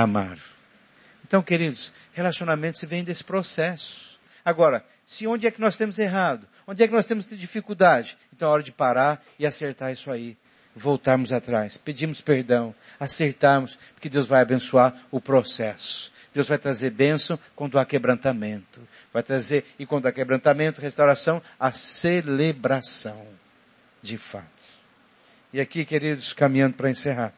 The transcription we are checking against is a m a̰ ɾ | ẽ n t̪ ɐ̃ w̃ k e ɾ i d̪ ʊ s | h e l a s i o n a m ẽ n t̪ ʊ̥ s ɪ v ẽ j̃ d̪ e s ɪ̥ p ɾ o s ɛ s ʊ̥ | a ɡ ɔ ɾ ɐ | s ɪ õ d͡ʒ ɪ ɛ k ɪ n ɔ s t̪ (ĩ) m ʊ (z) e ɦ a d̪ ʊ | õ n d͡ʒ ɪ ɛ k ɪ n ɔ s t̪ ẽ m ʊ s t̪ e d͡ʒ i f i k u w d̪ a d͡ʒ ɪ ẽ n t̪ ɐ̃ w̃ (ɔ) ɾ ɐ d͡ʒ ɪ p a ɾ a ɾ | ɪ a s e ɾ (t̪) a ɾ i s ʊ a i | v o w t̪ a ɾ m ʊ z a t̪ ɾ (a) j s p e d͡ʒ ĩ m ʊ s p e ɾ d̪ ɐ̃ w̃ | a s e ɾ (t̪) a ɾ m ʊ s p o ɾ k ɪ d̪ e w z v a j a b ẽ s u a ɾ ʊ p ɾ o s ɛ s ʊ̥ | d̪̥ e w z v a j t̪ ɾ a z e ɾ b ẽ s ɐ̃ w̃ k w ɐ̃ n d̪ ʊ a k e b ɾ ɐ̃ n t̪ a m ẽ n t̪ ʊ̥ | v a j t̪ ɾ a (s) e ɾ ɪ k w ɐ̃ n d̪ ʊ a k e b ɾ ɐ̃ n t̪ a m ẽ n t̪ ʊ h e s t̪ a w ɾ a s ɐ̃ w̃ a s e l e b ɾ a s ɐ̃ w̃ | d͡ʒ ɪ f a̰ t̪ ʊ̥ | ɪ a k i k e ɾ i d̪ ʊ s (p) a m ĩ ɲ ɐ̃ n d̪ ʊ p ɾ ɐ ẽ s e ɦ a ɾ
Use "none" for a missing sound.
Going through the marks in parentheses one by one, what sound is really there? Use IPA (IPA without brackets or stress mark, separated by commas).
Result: ẽ, z, ɔ, t̪, a, t̪, z, k